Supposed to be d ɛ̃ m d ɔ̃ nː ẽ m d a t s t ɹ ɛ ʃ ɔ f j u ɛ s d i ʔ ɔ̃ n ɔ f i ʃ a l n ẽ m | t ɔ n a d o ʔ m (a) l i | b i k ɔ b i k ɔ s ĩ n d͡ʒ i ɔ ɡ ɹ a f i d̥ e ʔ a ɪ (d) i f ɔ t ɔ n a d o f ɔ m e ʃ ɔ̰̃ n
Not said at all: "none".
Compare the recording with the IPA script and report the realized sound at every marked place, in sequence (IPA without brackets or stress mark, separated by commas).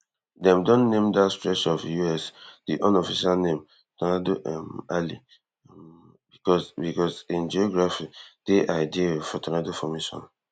a, d